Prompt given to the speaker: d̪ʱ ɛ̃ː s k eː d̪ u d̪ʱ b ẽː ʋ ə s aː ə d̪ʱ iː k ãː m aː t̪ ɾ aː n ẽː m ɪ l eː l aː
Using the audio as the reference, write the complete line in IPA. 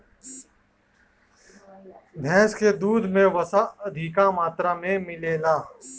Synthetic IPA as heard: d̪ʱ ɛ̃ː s k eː d̪ uː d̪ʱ m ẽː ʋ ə s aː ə d̪ʱ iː k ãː m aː t̪ ɾ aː m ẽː m ɪ l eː l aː